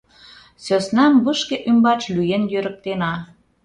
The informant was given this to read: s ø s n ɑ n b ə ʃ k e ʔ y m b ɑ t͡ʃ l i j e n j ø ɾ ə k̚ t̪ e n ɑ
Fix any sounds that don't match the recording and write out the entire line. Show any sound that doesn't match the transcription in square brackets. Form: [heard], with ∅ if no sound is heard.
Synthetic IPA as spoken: s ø s n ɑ [m] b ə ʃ k e ʔ y m b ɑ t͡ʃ l [y] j e n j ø ɾ ə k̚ t̪ e n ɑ